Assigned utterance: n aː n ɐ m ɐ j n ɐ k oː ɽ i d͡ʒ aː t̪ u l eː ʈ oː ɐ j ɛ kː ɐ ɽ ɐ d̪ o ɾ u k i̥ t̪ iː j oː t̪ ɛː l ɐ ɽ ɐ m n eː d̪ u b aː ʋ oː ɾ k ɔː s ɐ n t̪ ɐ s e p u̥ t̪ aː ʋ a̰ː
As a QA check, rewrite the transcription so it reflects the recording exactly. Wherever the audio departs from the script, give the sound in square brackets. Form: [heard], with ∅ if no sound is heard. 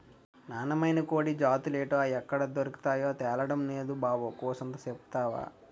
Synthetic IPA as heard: n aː n ɐ m ɐ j n ɐ k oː ɽ i d͡ʒ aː t̪ u l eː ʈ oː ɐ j ɛ kː ɐ ɽ ɐ d̪ o ɾ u k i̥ t̪ [aː] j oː t̪ ɛː l ɐ ɽ ɐ m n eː d̪ u b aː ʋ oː [∅] k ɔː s ɐ n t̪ ɐ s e p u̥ t̪ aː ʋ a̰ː